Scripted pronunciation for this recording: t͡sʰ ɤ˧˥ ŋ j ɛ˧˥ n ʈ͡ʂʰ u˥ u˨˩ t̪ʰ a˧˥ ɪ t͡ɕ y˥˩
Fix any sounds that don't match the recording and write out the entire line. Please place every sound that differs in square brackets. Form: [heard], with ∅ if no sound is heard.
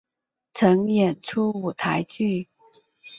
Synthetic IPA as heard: t͡sʰ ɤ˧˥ ŋ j [ɛ˨˩] n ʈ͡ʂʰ u˥ u˨˩ t̪ʰ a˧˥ ɪ t͡ɕ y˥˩